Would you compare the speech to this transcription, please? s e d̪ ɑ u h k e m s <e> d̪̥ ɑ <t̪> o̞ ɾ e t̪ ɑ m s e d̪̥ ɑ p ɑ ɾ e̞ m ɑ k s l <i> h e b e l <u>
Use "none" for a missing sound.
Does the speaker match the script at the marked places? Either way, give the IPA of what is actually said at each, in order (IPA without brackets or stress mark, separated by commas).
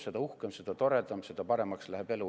e, t̪, æ, u